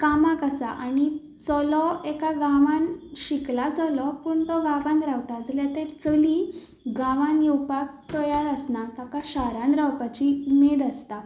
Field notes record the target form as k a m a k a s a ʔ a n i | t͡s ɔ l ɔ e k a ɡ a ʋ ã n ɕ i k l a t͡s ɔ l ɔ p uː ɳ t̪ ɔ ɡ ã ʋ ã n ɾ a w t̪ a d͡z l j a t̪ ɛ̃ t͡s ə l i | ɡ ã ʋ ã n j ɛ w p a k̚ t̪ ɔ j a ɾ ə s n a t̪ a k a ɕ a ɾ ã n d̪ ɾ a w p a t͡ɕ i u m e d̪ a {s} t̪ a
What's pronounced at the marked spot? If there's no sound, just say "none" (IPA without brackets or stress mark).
s